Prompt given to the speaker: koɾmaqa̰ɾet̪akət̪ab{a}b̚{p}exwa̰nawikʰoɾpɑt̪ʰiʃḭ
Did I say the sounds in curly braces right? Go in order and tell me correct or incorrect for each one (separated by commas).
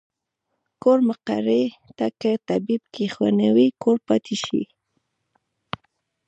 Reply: incorrect, incorrect